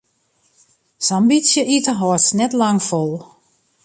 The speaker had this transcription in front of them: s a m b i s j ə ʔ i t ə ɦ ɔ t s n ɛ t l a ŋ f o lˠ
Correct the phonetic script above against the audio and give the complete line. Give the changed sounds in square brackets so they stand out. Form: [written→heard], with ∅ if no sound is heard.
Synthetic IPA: s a m b i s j ə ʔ i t ə ɦ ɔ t s n ɛ t l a ŋ f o lˠ